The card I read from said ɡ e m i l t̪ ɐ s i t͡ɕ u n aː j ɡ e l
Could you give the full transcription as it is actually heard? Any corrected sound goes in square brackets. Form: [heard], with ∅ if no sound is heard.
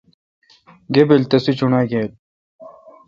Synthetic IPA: ɡ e [b] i l t̪ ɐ s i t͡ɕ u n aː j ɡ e l